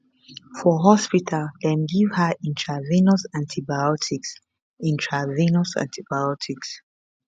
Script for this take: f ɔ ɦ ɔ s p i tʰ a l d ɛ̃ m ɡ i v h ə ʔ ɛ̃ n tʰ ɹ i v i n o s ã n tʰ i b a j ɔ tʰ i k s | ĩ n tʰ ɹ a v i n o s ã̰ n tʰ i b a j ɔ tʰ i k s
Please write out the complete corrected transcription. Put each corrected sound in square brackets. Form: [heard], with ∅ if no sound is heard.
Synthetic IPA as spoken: f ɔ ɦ ɔ s p i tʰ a l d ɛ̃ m ɡ i v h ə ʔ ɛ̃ n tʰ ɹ [a] v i n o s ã n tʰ i b a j ɔ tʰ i k s | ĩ n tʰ ɹ a v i n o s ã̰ n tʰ i b a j ɔ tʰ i k s